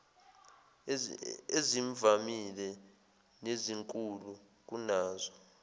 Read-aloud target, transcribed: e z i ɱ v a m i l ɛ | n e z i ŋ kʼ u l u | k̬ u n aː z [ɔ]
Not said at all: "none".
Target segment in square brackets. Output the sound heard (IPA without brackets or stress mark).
ɔ